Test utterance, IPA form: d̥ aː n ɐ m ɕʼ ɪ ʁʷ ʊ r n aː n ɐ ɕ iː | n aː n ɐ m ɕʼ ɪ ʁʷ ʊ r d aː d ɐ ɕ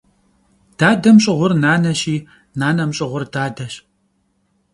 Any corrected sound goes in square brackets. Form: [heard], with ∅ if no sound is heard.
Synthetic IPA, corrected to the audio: d̥ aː [d] ɐ m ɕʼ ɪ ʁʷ ʊ r n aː n ɐ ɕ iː | n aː n ɐ m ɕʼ ɪ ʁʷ ʊ r d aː d ɐ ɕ